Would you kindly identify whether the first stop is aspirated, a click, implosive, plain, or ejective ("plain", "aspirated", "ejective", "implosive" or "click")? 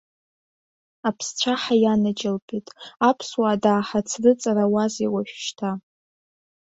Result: aspirated